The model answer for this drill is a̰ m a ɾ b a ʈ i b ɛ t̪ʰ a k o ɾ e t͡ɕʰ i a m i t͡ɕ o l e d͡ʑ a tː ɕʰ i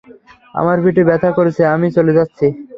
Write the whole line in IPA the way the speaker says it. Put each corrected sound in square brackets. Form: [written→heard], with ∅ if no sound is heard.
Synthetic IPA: a̰ m a ɾ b [a→i] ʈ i b ɛ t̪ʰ a k o ɾ e t͡ɕʰ [i→e] a m i t͡ɕ o l e d͡ʑ a tː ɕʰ i